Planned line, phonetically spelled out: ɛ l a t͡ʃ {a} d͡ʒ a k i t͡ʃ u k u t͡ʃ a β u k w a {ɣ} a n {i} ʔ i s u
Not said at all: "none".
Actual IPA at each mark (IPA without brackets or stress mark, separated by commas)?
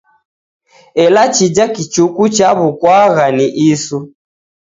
i, ɣ, i